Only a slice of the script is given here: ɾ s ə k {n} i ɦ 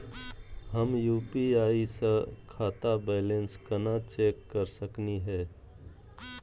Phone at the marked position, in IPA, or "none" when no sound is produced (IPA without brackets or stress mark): n